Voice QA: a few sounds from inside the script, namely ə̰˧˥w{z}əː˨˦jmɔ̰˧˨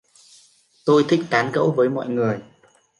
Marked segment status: incorrect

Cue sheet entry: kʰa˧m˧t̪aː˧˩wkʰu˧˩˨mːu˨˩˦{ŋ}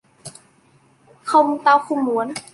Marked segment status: incorrect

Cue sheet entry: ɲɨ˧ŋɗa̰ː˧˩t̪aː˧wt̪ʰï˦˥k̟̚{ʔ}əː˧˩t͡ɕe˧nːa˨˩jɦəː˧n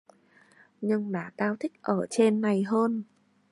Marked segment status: correct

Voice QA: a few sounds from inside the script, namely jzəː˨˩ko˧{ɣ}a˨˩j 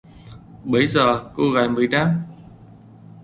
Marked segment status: correct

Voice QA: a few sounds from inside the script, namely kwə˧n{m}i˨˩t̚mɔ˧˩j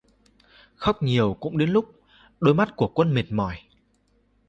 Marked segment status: correct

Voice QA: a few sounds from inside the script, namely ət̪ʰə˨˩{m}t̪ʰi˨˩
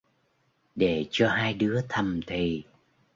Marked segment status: correct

